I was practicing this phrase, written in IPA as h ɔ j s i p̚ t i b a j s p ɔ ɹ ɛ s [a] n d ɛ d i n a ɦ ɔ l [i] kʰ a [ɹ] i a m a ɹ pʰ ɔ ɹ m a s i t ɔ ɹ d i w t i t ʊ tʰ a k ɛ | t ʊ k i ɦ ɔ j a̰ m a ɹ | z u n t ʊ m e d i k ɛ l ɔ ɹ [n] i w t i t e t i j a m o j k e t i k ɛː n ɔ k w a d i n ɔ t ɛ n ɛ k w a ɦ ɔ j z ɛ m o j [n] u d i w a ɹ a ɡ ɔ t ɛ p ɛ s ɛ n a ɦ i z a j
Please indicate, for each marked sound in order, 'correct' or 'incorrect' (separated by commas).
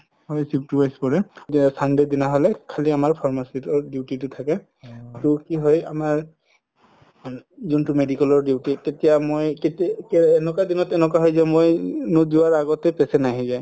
correct, incorrect, incorrect, incorrect, correct